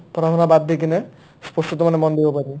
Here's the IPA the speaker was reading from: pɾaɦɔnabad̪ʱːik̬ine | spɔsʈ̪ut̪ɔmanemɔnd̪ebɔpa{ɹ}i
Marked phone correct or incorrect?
incorrect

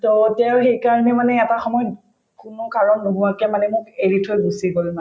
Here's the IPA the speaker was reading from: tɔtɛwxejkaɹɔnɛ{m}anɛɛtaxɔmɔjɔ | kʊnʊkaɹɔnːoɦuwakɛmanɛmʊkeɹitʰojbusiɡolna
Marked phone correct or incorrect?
correct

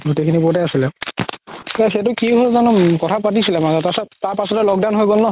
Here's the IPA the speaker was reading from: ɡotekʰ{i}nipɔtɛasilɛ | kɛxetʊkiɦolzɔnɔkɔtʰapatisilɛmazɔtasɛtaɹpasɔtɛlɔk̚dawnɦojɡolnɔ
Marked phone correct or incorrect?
correct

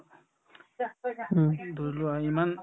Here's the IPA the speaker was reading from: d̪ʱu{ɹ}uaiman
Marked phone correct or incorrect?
incorrect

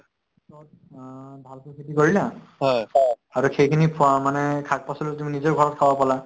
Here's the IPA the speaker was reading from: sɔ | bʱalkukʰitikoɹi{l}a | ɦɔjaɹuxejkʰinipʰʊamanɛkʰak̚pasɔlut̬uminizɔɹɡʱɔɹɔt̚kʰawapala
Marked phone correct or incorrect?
correct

